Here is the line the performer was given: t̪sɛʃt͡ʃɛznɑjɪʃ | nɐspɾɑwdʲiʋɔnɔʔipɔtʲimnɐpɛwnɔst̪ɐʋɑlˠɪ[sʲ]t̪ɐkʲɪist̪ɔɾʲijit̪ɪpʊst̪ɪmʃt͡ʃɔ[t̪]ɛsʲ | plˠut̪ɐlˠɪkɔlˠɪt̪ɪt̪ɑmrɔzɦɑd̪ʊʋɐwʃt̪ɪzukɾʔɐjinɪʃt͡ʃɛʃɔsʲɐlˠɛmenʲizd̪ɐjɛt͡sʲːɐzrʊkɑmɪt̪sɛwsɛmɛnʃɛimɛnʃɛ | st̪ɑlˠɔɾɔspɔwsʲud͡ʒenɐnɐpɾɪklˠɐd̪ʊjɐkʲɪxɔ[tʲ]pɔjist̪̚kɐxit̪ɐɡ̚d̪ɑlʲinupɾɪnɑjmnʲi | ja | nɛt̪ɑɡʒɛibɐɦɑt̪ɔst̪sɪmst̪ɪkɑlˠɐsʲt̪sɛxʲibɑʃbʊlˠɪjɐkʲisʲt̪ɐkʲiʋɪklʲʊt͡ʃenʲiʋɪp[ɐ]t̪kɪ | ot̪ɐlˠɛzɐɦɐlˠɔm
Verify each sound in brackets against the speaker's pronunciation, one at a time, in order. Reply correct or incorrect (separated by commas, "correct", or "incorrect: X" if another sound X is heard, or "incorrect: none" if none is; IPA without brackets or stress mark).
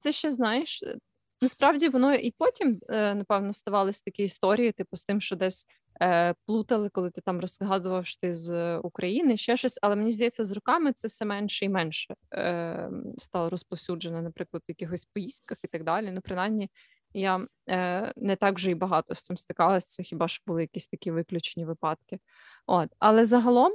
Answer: correct, incorrect: d̪, incorrect: sʲ, incorrect: ɑ